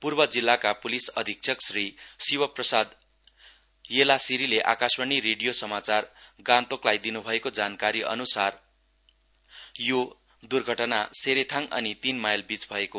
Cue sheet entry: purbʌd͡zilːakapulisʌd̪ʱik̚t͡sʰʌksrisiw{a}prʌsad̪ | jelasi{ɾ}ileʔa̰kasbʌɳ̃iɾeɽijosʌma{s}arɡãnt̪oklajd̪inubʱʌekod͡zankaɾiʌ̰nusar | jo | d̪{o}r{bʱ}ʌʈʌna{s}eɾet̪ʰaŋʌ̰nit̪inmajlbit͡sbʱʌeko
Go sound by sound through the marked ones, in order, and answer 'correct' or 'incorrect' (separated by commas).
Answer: incorrect, correct, incorrect, incorrect, incorrect, correct